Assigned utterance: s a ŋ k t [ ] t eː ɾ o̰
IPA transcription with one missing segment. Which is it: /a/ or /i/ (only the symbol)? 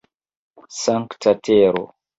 a